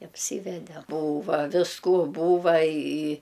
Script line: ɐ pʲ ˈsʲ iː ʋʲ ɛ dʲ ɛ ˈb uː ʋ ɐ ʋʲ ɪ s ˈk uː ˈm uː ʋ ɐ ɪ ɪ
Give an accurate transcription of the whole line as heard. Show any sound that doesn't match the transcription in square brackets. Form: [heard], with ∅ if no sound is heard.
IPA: ɐ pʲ ˈsʲ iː ʋʲ ɛ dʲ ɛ ˈb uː ʋ ɐ ʋʲ ɪ s ˈk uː [ˈb] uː ʋ ɐ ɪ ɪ